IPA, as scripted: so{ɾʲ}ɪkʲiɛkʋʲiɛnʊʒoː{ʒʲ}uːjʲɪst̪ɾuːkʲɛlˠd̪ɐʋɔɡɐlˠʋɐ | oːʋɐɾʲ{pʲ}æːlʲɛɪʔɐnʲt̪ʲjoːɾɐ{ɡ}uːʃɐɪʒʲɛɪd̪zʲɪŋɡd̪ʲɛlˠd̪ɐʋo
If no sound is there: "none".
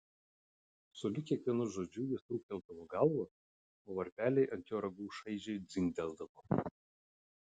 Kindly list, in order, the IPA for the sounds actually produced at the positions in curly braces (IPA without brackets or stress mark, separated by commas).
lʲ, d͡ʒʲ, pʲ, ɡ